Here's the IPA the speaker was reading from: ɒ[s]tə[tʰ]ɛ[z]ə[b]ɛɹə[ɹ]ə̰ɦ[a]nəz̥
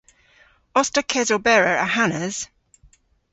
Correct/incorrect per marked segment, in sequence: correct, incorrect: kʰ, correct, correct, correct, correct

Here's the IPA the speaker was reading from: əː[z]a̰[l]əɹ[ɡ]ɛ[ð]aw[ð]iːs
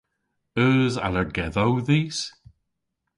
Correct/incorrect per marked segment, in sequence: correct, correct, correct, correct, correct

